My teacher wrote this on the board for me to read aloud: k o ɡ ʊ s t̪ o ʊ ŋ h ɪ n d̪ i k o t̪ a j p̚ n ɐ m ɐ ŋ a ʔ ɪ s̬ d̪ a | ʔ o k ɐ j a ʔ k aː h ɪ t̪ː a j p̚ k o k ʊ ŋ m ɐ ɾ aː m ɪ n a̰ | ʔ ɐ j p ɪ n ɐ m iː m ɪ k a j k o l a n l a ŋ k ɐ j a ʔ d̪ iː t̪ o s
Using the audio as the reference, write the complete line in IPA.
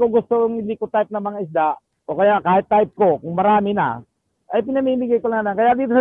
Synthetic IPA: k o ɡ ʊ s t̪ o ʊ ŋ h ɪ n d̪ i k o t̪ a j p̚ n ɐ m ɐ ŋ a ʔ ɪ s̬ d̪ a | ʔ o k ɐ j a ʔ k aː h ɪ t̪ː a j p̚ k o k ʊ ŋ m ɐ ɾ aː m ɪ n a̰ | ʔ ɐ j p ɪ n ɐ m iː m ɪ ɡ a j k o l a ŋ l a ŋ k ɐ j a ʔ d̪ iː t̪ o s